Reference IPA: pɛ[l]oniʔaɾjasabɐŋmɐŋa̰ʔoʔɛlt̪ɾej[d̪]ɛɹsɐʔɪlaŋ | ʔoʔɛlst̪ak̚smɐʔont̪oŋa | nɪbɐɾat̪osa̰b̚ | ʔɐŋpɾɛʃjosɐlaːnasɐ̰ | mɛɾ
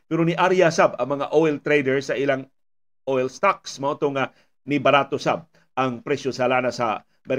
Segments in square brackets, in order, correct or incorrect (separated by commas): incorrect, correct